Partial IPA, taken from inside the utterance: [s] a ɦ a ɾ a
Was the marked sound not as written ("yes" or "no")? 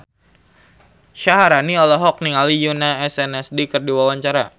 yes